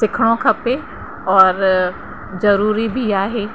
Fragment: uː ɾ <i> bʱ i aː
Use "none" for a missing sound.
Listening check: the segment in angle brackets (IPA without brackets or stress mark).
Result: i